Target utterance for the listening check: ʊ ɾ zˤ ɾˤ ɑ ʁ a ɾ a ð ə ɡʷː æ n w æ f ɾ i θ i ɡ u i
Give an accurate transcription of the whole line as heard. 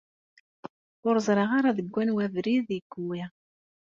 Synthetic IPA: ʊ ɾ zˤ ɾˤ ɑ ʁ a ɾ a ð ə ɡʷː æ n w æ v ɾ i ð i ɡ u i